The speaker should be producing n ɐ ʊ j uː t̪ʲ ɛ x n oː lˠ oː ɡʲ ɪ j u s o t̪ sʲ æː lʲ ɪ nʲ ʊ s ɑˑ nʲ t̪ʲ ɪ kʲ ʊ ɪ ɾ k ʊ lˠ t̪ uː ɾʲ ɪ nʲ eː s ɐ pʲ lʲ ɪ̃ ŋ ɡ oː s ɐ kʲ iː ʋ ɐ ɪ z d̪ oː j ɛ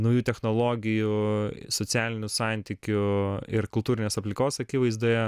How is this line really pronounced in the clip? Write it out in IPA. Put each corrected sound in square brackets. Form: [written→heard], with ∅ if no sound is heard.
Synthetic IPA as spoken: n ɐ ʊ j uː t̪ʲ ɛ x n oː lˠ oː ɡʲ ɪ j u s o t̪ sʲ æː lʲ ɪ nʲ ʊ s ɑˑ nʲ t̪ʲ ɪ kʲ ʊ ɪ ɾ k ʊ lˠ t̪ uː ɾʲ ɪ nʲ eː s ɐ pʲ lʲ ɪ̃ ŋ [ɡ→k] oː s ɐ kʲ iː ʋ ɐ ɪ z d̪ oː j ɛ